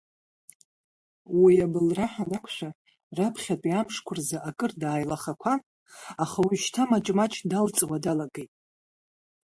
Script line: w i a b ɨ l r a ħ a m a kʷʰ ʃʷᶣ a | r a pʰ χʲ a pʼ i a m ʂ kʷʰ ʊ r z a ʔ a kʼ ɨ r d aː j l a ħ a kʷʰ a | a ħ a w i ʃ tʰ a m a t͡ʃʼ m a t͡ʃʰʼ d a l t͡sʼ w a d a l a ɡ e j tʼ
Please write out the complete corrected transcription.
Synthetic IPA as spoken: w i a b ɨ l r a ħ a n a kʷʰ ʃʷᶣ a | r a pʰ χʲ a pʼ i a m ʂ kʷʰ ʊ r z a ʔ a kʼ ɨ r d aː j l a χ a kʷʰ a | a χ a w i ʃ tʰ a m a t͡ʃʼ m a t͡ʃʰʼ d a l t͡sʼ w a d a l a ɡ e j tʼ